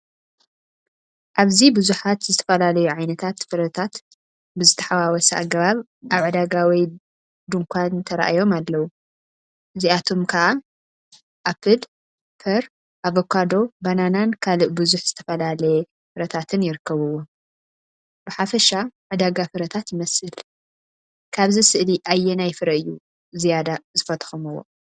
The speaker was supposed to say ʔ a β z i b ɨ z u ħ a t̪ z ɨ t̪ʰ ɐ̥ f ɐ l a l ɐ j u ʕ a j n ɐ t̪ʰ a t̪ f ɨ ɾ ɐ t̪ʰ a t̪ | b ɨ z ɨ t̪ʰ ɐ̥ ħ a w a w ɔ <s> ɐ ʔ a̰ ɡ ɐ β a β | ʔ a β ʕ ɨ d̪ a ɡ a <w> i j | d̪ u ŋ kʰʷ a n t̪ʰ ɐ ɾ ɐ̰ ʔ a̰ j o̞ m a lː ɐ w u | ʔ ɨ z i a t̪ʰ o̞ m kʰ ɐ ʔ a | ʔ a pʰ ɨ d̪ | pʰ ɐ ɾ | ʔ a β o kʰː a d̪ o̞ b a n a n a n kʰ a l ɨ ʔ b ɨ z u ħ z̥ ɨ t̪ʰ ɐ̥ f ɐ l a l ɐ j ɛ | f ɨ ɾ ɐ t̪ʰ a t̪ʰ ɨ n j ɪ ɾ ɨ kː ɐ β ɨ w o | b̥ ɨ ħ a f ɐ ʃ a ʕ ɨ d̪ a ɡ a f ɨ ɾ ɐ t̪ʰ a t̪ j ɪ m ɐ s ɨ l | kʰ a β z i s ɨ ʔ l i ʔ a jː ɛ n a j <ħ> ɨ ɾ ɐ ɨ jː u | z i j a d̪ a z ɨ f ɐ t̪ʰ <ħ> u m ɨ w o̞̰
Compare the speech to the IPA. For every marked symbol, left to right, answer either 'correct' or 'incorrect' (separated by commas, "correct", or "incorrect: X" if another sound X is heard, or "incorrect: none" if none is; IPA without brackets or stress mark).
correct, correct, incorrect: f, incorrect: x